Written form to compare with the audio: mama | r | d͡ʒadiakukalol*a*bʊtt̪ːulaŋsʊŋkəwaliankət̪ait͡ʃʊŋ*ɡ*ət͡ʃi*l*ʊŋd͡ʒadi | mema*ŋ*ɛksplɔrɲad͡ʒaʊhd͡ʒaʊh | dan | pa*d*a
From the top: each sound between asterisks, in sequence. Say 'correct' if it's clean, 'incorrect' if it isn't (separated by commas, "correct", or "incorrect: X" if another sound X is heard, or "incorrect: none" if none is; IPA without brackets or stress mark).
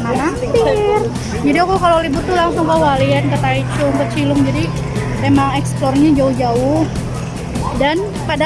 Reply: incorrect: i, incorrect: k, correct, correct, correct